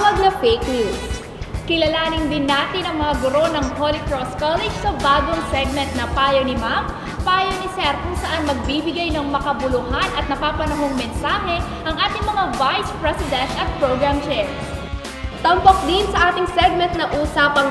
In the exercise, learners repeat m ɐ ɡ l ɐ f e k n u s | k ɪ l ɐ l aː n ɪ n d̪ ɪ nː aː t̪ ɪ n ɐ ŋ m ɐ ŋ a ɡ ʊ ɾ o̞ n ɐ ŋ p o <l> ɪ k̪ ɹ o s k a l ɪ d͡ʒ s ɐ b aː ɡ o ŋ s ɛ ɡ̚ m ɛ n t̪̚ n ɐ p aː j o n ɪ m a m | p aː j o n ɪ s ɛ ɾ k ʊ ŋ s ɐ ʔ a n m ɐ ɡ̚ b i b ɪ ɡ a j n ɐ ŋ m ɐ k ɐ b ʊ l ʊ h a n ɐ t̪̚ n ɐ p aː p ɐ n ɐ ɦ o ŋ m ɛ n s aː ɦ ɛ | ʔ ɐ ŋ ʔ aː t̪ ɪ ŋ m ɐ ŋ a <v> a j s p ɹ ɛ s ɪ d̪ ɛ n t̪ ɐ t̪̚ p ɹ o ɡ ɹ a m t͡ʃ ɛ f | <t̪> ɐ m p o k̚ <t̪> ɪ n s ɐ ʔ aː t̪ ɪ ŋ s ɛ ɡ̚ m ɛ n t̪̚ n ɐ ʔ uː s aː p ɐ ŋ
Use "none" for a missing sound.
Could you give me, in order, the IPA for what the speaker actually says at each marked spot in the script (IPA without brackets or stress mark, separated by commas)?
l, v, t̪, d̪